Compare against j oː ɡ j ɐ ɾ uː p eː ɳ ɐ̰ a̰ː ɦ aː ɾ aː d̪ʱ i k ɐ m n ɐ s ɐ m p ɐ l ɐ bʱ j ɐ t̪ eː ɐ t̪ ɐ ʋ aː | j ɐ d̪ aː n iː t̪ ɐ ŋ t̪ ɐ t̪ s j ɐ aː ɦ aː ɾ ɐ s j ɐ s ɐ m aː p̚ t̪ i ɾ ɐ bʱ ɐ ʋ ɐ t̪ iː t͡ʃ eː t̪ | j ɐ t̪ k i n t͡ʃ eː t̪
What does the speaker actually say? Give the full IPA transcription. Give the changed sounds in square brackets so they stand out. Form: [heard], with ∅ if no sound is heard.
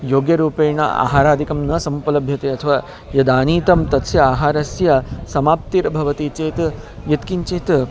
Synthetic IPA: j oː ɡ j ɐ ɾ uː p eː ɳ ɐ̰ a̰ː ɦ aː ɾ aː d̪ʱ i k ɐ m n ɐ s ɐ m p ɐ l ɐ bʱ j ɐ t̪ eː ɐ [t̪ʰ] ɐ ʋ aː | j ɐ d̪ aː n iː t̪ ɐ [m] t̪ ɐ t̪ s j ɐ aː ɦ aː ɾ ɐ s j ɐ s ɐ m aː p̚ t̪ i ɾ ɐ bʱ ɐ ʋ ɐ t̪ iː t͡ʃ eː t̪ | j ɐ t̪ k i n t͡ʃ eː t̪